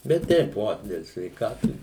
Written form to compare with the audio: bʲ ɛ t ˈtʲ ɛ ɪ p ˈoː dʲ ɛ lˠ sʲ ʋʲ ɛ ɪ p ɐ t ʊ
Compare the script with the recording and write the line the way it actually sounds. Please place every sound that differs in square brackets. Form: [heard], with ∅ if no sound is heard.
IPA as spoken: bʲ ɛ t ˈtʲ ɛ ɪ p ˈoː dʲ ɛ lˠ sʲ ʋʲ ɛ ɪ [k] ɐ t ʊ